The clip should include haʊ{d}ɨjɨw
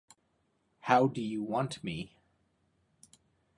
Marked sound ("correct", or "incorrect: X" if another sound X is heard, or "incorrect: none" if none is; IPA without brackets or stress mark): correct